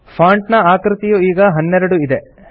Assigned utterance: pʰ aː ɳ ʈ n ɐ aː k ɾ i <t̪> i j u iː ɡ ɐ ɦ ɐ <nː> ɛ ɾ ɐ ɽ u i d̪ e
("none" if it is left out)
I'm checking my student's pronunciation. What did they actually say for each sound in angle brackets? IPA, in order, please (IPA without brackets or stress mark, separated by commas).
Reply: t̪, nː